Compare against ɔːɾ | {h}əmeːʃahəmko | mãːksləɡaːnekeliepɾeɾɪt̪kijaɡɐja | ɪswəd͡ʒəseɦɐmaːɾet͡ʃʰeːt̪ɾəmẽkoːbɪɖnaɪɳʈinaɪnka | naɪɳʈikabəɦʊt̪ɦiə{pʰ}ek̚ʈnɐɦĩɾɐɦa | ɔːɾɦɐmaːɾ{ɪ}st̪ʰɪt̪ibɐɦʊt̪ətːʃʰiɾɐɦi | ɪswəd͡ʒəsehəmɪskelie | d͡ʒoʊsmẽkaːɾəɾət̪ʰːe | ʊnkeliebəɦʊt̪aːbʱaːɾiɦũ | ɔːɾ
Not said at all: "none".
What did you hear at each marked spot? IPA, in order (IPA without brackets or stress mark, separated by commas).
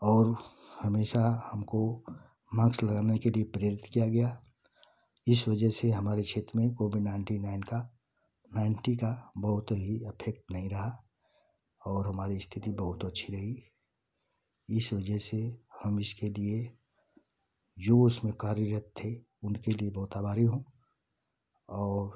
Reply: h, pʰ, i